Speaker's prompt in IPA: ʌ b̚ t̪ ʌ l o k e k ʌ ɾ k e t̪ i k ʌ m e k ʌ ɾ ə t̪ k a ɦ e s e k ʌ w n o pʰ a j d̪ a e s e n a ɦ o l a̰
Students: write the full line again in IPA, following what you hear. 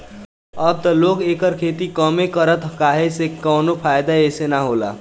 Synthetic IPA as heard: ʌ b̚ t̪ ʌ l o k e k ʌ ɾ kʰ e t̪ i k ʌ m e k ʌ ɾ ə t̪ k a ɦ e s e k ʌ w n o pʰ a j d̪ a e s e n a ɦ o l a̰